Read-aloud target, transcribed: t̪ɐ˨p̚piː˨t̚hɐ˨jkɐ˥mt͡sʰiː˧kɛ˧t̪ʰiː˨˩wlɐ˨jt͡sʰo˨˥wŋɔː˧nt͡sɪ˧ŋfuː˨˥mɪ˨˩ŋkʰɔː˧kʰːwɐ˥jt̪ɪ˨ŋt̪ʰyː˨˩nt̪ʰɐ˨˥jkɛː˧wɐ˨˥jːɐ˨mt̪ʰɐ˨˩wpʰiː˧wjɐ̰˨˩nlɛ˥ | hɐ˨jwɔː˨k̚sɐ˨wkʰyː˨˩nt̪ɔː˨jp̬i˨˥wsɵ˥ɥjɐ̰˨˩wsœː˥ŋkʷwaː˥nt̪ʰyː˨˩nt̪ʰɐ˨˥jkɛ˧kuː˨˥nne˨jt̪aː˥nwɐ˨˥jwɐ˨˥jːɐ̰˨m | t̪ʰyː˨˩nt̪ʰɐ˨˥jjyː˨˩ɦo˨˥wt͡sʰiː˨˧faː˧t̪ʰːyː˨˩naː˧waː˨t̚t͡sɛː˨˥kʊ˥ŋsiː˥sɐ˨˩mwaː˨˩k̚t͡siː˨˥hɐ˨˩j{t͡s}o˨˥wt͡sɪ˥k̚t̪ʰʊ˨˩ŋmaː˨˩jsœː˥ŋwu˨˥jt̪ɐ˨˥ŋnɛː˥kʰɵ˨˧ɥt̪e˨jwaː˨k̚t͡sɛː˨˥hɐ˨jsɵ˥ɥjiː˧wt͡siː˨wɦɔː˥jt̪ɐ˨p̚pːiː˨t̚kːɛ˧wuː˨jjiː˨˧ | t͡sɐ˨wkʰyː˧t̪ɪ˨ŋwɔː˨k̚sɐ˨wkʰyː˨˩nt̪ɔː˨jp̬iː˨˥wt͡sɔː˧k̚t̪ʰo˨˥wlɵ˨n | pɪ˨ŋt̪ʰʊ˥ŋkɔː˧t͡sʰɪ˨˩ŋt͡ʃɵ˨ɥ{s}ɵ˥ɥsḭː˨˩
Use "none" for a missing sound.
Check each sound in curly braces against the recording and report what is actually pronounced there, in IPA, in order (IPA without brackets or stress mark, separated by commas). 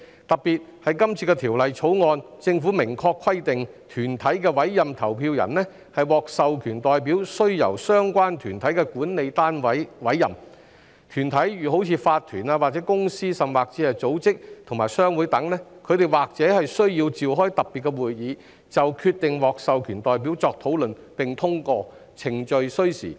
t͡s, s